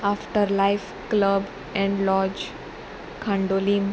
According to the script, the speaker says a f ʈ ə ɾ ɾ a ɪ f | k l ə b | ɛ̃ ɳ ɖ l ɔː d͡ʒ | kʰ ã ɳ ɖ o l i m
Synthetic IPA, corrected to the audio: a f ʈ ə ɾ l a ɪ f | k l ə b | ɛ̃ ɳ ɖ l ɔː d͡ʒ | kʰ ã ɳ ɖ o l i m